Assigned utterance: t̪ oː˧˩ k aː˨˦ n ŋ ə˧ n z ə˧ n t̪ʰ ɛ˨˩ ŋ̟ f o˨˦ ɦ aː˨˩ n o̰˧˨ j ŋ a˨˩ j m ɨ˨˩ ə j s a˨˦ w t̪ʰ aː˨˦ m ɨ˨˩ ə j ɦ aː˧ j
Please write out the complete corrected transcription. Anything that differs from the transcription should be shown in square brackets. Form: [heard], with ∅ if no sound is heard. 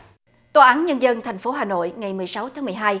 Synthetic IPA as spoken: t̪ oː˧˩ [ʔ] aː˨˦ n [ɲ] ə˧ n z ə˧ n t̪ʰ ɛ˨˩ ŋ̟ f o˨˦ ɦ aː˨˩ n o̰˧˨ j ŋ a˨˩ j m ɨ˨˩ ə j s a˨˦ w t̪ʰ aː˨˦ m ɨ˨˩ ə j ɦ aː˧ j